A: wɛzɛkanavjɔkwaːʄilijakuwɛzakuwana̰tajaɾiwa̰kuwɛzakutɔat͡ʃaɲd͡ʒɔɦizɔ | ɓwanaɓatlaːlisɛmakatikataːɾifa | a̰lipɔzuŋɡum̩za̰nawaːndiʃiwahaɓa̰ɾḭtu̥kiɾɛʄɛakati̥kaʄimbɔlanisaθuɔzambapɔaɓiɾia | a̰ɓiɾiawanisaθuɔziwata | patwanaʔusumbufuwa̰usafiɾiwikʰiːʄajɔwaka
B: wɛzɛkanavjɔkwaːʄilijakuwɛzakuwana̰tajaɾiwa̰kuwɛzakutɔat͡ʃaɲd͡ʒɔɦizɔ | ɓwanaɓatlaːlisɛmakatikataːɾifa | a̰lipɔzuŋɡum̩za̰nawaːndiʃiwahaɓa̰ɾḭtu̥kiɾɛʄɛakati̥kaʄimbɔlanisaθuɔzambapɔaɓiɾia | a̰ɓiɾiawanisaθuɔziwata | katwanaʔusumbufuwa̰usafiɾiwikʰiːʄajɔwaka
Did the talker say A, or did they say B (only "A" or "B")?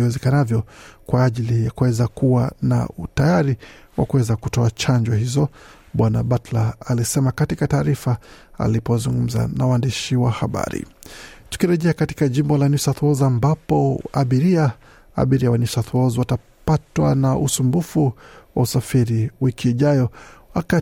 A